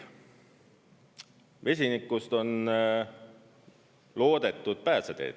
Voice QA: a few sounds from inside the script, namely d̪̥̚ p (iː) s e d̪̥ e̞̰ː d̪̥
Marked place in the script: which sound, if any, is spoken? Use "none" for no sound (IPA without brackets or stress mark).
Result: æː